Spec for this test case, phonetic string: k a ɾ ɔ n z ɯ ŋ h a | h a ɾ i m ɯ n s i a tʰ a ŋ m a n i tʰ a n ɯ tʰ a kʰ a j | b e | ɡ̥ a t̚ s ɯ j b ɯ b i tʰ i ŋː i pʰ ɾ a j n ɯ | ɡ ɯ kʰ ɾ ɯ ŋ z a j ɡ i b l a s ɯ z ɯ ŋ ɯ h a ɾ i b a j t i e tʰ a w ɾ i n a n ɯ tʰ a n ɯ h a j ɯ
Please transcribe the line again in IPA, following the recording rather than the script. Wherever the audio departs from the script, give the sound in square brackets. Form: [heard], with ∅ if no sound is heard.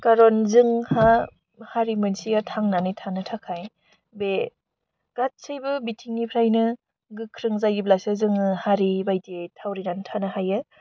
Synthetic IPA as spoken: k a ɾ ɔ n z ɯ ŋ h a | h a ɾ i m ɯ n s i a tʰ a ŋ [n] a n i tʰ a n ɯ tʰ a kʰ a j | b e | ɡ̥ a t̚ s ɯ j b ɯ b i tʰ i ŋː i pʰ ɾ a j n ɯ | ɡ ɯ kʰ ɾ ɯ ŋ z a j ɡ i b l a s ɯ z ɯ ŋ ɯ h a ɾ i b a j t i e tʰ a w ɾ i n a n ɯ tʰ a n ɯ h a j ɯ

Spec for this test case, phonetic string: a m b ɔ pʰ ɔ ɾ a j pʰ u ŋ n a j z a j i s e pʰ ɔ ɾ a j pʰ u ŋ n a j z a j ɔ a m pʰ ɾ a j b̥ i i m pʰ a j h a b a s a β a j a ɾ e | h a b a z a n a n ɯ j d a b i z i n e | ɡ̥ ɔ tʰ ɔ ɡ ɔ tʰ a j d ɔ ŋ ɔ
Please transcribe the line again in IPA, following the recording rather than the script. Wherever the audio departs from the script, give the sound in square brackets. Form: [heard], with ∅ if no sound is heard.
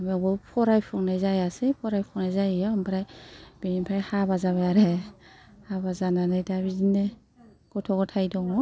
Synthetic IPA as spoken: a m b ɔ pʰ ɔ ɾ a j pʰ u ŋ n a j z a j [a] s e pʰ ɔ ɾ a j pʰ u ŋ n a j z a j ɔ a m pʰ ɾ a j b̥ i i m pʰ a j h a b a [z] a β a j a ɾ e | h a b a z a n a n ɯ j d a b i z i n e | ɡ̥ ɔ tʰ ɔ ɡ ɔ tʰ a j d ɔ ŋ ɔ

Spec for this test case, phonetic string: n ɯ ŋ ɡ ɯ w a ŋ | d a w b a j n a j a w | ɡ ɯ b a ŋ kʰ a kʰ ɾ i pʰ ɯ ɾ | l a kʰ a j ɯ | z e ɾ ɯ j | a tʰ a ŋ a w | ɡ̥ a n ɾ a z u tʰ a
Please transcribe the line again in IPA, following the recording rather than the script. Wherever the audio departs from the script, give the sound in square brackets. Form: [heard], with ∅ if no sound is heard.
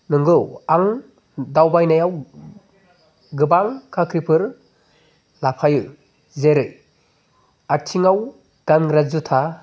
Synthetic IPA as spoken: n ɯ ŋ ɡ ɯ w a ŋ | d a w b a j n a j a w | ɡ ɯ b a ŋ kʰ a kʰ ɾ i pʰ ɯ ɾ | l a [pʰ] a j ɯ | z e ɾ ɯ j | a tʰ [i] ŋ a w | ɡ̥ a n ɾ a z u tʰ a

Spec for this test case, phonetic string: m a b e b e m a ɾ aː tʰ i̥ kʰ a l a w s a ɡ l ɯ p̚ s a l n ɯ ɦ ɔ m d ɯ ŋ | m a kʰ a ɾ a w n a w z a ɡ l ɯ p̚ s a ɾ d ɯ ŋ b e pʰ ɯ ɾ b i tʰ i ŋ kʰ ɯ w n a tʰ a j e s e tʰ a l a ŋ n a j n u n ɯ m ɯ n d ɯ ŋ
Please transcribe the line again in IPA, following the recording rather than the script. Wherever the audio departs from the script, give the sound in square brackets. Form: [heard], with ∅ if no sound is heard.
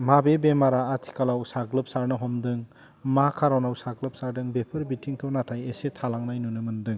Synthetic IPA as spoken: m a b e b e m a ɾ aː tʰ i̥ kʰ a l a w s a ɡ l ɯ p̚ s a [ɾ] n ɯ ɦ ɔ m d ɯ ŋ | m a kʰ a ɾ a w n a w [s] a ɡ l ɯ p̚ s a ɾ d ɯ ŋ b e pʰ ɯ ɾ b i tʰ i ŋ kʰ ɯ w n a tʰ a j e s e tʰ a l a ŋ n a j n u n ɯ m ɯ n d ɯ ŋ

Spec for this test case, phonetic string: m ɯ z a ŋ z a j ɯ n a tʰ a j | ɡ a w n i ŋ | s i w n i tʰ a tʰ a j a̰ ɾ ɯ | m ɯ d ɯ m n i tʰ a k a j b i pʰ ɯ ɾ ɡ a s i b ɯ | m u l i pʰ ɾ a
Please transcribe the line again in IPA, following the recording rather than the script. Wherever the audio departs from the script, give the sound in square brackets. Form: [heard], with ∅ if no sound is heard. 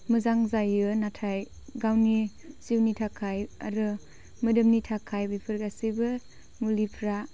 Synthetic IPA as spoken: m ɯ z a ŋ z a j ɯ n a tʰ a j | ɡ a w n i [∅] | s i w n i tʰ a [kʰ] a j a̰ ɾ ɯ | m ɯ d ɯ m n i tʰ a [kʰ] a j b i pʰ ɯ ɾ ɡ a s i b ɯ | m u l i pʰ ɾ a

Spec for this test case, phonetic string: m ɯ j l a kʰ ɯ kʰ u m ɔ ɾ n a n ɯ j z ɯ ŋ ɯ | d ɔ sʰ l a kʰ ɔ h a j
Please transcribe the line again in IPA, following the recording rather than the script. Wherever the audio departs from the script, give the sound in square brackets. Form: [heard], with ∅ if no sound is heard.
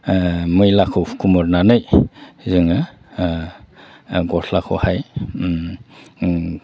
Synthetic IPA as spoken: m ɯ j l a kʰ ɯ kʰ u m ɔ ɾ n a n ɯ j z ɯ ŋ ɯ | [ɡ] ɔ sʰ l a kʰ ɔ h a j

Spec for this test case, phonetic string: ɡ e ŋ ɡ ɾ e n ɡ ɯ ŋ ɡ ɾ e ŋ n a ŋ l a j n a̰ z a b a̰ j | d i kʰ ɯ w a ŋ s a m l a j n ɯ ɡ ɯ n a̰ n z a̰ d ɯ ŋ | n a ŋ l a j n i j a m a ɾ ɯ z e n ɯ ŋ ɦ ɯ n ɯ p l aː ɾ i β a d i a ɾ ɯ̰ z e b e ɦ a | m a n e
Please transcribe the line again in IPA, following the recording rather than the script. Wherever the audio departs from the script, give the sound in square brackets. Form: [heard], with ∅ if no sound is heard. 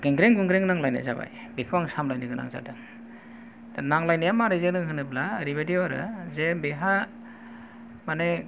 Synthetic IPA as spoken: ɡ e ŋ ɡ ɾ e [ŋ] ɡ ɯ ŋ ɡ ɾ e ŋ n a ŋ l a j n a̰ z a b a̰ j | [b] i kʰ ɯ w a ŋ s a m l a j n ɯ ɡ ɯ n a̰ [ŋ] z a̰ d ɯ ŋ | n a ŋ l a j n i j a m a ɾ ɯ z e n ɯ ŋ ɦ ɯ n ɯ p l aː ɾ i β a d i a ɾ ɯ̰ z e b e ɦ a | m a n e

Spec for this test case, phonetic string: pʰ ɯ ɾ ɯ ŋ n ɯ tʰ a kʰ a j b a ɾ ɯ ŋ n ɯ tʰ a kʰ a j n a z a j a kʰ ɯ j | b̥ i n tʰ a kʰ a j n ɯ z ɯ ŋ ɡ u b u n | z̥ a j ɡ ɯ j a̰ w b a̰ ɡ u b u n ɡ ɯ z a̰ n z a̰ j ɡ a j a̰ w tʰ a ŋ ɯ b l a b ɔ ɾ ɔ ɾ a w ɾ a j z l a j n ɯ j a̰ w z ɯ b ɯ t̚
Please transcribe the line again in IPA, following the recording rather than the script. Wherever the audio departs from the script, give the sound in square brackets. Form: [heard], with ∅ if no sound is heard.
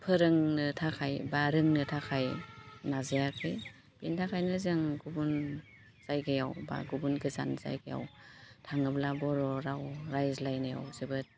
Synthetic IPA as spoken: pʰ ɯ ɾ ɯ ŋ n ɯ tʰ a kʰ a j b a ɾ ɯ ŋ n ɯ tʰ a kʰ a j n a z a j a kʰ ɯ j | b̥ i n tʰ a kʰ a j n ɯ z ɯ ŋ ɡ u b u n | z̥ a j ɡ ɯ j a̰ w b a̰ ɡ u b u n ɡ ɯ z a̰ n z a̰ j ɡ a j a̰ w tʰ a ŋ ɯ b l a b ɔ ɾ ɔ ɾ a w ɾ a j z l a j n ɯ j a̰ w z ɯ b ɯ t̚

